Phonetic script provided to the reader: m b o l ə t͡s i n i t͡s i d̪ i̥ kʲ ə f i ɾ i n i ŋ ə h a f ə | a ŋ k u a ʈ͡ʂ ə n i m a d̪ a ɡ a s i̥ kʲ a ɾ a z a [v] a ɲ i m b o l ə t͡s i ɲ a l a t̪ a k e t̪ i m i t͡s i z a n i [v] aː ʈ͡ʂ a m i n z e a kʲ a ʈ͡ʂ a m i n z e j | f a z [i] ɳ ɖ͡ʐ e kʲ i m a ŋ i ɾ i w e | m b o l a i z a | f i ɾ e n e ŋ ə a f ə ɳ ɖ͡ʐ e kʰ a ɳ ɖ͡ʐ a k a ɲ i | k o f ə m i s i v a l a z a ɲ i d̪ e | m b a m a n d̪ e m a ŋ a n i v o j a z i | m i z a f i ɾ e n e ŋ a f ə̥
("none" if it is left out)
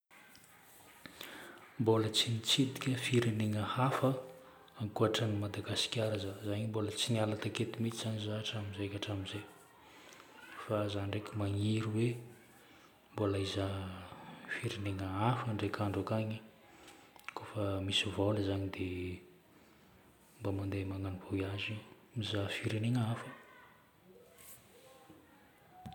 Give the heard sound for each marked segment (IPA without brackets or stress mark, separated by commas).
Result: z, z, a